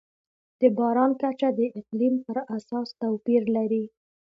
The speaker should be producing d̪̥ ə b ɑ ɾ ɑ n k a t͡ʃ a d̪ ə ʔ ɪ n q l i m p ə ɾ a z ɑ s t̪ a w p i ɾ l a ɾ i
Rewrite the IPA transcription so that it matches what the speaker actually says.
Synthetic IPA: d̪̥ ə b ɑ ɾ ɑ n k a t͡ʃ a d̪ ə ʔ ɪ q l i m p ə ɾ a s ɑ s t̪ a w p i ɾ l a ɾ i